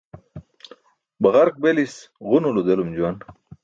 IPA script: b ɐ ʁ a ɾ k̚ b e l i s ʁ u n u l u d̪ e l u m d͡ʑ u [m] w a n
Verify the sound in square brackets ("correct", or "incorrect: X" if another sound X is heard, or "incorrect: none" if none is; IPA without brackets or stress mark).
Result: incorrect: none